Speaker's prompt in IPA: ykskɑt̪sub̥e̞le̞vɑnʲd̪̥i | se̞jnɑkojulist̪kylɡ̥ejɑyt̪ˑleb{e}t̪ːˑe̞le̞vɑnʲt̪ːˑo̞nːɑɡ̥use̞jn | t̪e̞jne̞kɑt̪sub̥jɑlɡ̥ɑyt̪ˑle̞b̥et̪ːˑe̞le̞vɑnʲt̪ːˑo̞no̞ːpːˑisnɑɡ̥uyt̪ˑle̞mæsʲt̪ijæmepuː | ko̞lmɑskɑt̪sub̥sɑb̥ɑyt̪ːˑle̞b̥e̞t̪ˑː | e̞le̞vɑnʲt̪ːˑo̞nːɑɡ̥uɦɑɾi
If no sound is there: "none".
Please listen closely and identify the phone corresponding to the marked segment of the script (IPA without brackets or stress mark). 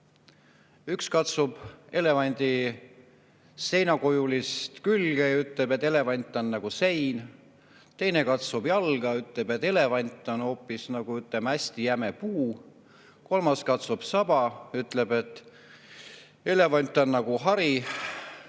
e